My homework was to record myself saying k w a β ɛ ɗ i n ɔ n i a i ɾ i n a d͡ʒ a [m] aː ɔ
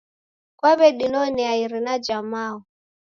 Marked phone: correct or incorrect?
correct